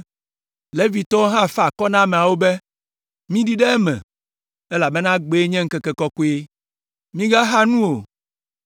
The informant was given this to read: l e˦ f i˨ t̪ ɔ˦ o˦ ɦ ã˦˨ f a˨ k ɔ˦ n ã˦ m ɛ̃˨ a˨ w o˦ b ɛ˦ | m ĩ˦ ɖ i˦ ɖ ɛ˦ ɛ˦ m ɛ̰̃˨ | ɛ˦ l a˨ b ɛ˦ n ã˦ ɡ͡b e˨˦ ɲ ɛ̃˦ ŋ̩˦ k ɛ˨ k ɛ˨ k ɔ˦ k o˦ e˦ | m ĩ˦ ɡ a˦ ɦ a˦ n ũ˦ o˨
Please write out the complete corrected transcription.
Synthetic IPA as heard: l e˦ v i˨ t̪ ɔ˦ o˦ ɦ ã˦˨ f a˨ k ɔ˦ n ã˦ m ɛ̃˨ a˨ w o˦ b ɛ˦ | m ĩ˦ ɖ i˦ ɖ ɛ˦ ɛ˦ m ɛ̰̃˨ | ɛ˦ l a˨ b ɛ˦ n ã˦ ɡ͡b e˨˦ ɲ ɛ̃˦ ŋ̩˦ k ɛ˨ k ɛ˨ k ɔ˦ k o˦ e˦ | m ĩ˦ ɡ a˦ ɦ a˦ n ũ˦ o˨